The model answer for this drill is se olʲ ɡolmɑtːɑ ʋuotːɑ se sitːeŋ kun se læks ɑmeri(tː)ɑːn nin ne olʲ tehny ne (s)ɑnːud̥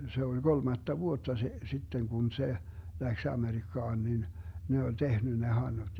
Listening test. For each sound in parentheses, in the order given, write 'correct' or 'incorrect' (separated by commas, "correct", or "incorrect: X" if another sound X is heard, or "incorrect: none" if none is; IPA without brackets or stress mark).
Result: incorrect: kː, incorrect: h